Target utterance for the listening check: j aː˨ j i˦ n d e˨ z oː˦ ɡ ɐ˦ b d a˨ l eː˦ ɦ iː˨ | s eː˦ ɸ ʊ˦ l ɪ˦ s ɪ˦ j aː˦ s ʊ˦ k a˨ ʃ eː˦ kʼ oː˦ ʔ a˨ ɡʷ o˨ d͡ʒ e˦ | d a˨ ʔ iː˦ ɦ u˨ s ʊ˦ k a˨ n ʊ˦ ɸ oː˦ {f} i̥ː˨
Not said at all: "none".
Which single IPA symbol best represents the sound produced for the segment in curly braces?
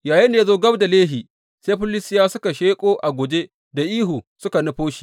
ʃ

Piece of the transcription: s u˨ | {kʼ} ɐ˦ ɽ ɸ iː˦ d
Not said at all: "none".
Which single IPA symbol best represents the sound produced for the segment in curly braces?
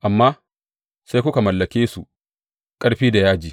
kʼ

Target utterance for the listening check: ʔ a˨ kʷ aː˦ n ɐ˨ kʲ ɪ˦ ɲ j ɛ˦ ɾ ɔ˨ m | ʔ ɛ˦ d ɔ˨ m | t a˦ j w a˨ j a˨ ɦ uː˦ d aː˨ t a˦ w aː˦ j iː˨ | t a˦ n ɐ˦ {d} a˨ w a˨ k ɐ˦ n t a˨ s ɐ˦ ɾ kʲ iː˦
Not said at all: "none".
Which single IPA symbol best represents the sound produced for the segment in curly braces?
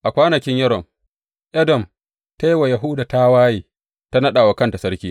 ɗ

